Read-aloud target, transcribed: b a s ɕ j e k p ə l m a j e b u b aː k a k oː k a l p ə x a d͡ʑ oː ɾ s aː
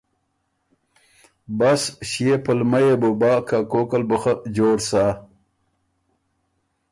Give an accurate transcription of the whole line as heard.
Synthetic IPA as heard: b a s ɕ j e p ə l m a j e b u b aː k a k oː k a l b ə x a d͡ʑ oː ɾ s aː